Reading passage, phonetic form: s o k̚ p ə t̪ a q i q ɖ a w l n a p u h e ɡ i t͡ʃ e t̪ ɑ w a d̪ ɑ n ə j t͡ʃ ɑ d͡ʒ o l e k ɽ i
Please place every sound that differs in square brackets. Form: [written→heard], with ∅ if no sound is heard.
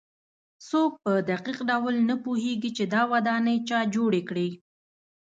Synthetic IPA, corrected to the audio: s o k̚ p ə [t̪→d̪] a q i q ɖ a w l n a p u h e ɡ i t͡ʃ e [t̪→d̪] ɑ w a d̪ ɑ n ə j t͡ʃ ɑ d͡ʒ o [l→ɽ] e k ɽ i